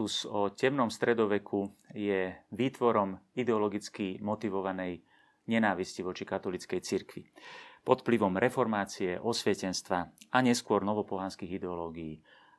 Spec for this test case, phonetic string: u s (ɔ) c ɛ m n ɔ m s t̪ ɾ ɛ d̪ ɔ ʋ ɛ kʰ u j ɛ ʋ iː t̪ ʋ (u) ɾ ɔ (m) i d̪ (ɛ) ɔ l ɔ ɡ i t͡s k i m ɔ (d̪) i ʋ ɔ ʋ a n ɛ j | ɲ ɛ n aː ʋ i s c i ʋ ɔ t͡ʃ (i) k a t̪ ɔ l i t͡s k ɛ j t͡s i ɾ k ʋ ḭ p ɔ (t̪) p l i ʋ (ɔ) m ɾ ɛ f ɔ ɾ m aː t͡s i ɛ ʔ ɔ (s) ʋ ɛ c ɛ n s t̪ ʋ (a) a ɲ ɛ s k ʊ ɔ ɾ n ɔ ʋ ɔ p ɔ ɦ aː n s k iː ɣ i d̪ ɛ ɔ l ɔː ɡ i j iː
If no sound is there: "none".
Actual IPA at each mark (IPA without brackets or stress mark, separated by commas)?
ɔ, ɔ, m, ɛ, t̪, i, t̪, ɔ, s, a